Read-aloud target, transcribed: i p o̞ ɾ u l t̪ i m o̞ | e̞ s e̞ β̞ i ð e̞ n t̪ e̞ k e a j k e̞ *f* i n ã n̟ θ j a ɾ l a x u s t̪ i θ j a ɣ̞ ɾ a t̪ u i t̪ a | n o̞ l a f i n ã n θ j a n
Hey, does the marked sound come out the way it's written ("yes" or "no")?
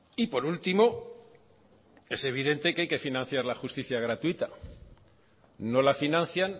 yes